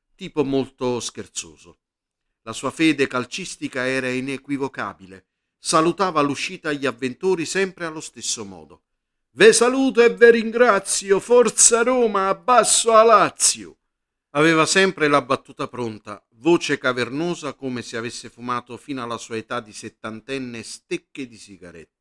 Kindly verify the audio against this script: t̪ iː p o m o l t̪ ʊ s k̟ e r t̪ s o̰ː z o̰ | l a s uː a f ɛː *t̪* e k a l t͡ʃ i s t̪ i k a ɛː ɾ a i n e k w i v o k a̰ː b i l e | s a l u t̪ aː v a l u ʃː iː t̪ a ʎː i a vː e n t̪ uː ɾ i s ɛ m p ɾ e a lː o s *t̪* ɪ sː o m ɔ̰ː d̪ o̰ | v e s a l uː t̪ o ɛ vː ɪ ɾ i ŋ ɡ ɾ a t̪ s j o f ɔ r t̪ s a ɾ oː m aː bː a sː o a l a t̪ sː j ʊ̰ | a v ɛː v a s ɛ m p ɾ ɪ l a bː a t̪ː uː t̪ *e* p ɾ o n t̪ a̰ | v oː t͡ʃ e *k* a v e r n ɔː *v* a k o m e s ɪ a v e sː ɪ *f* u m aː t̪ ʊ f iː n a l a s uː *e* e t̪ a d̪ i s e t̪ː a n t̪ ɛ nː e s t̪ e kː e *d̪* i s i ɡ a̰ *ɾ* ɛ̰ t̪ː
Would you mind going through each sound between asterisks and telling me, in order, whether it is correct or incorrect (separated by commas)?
incorrect, correct, incorrect, correct, incorrect, correct, incorrect, correct, correct